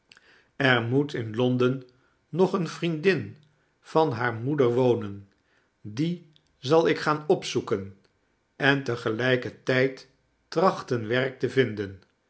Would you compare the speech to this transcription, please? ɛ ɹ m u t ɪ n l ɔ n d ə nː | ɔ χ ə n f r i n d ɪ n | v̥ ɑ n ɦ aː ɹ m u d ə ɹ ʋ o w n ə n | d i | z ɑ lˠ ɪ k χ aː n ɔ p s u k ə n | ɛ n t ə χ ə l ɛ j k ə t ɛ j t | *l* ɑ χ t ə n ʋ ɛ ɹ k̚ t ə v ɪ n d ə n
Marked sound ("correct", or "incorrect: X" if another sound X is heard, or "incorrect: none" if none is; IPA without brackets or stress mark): incorrect: r